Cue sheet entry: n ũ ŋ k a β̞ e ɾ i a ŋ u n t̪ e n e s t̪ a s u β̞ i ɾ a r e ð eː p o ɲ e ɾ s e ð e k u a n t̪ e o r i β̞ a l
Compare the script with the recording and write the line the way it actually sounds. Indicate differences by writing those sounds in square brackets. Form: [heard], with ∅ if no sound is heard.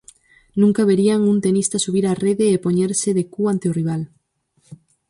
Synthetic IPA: n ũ ŋ k a β̞ e ɾ i a ŋ u n t̪ e n [i] s t̪ a s u β̞ i ɾ a r e ð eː p o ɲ e ɾ s e ð e k u a n t̪ e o r i β̞ a l